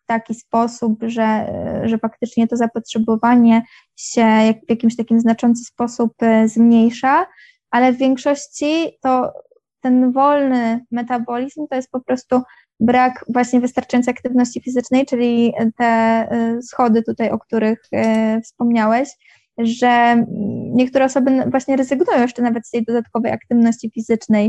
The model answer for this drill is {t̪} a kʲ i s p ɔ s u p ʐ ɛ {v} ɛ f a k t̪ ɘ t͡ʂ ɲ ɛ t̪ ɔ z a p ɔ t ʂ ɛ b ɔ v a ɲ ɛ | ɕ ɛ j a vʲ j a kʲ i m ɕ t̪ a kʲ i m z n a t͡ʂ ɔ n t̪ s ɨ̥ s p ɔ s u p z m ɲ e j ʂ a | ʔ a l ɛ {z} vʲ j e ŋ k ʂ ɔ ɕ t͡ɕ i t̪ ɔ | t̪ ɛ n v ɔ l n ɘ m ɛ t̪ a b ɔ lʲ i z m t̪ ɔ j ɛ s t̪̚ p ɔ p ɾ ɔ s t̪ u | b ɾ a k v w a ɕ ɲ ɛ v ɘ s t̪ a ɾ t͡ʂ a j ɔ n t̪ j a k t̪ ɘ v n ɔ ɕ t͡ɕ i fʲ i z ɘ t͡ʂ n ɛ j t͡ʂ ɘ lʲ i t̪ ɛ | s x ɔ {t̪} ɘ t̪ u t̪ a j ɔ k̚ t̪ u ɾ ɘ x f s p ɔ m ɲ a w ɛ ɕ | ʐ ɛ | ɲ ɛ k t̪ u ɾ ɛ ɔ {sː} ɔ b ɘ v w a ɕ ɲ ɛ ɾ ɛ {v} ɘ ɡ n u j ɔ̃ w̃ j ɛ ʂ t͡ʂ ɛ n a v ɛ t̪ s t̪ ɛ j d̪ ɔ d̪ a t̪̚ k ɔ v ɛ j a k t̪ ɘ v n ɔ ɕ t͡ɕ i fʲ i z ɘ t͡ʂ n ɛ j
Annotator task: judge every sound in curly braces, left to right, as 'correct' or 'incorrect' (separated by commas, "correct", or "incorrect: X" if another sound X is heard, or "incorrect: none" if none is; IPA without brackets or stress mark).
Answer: correct, incorrect: ʐ, incorrect: v, incorrect: d̪, incorrect: s, incorrect: z